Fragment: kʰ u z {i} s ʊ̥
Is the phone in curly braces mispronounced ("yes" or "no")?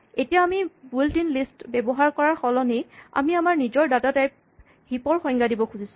no